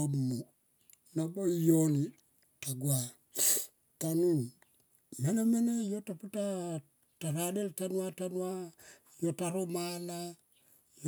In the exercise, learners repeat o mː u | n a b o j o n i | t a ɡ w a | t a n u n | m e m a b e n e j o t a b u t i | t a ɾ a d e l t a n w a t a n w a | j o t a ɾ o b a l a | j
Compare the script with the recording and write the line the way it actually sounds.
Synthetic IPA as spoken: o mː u | n a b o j o n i | t a ɡ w a | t a n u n | m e n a m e n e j o t a p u t a | t a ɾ a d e l t a n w a t a n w a | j o t a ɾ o m a l a | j